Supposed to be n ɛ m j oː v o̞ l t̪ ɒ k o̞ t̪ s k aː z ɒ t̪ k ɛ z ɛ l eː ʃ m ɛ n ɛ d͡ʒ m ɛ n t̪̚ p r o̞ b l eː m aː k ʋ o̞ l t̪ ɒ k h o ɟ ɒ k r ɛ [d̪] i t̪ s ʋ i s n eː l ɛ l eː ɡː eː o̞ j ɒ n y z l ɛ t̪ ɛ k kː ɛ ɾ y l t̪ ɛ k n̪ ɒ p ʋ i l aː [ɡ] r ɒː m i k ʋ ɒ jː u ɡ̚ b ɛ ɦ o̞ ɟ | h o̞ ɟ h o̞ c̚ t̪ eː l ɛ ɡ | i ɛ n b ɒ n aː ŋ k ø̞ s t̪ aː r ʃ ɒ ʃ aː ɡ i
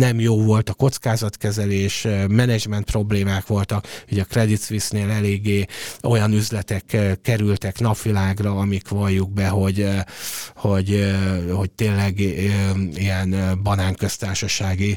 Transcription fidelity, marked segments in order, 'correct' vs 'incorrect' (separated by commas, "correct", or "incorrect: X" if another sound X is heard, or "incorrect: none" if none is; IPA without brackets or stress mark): correct, correct